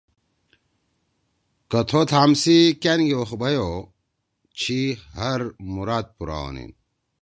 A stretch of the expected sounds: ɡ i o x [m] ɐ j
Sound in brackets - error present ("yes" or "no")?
yes